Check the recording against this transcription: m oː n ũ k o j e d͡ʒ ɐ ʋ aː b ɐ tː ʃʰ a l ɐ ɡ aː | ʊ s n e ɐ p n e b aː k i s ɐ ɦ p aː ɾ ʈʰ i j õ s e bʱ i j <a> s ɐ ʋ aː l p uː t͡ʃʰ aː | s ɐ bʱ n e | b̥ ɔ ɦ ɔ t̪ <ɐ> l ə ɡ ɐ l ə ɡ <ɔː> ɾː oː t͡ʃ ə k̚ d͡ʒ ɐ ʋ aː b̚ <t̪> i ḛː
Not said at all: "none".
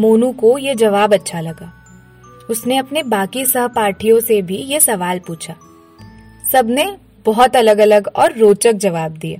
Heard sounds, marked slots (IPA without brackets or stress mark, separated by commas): e, ɐ, ɔː, d̪